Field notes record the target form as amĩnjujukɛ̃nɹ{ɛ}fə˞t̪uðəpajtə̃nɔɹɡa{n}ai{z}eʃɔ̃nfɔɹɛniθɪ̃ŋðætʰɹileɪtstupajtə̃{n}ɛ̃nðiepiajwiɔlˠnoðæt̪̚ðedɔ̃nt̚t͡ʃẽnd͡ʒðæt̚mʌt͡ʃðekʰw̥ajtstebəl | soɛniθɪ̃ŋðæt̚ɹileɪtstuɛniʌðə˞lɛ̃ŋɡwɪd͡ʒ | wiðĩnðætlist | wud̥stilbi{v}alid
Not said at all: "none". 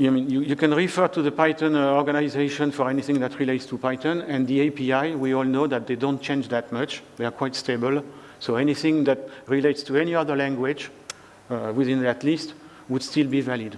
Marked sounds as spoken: i, n, z, n, v

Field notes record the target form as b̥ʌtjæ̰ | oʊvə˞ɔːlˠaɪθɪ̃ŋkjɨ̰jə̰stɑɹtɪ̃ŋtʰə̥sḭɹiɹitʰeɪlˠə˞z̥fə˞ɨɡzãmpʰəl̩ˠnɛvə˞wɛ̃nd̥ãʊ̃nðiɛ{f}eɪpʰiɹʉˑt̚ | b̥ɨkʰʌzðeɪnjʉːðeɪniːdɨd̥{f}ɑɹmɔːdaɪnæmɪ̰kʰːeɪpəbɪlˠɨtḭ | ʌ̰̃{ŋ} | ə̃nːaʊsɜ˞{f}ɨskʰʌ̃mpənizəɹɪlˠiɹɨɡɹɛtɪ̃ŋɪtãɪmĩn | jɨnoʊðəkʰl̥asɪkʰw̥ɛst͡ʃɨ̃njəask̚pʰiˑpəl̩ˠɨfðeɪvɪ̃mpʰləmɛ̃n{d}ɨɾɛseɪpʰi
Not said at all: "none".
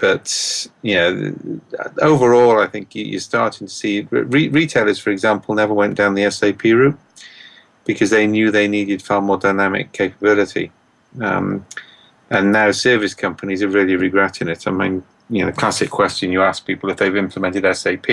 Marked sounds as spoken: s, f, m, v, t

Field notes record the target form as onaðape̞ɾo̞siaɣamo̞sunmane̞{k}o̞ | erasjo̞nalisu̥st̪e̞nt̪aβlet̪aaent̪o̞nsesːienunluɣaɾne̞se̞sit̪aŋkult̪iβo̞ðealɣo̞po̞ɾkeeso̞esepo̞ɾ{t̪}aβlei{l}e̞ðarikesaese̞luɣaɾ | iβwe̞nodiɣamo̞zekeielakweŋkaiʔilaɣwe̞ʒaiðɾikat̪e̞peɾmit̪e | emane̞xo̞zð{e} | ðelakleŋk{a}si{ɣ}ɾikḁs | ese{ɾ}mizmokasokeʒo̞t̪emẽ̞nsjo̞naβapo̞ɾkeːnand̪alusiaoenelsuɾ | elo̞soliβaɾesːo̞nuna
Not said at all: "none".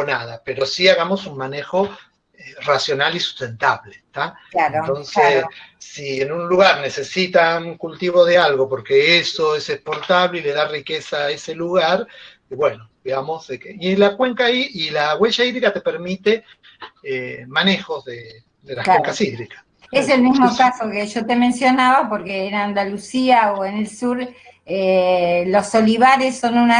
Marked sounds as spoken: x, t̪, l, e, a, ð, l

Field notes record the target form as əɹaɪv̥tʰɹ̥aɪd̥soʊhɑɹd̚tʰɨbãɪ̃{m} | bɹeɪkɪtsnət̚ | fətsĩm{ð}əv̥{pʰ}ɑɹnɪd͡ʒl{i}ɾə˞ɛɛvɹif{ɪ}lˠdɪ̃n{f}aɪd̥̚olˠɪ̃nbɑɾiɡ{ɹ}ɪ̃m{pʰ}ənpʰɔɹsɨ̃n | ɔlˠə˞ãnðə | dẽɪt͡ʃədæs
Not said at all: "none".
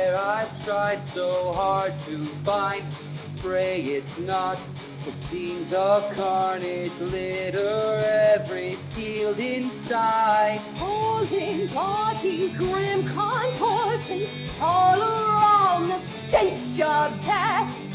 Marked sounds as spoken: n, z, kʰ, ɪ, i, s, ɹ, kʰ

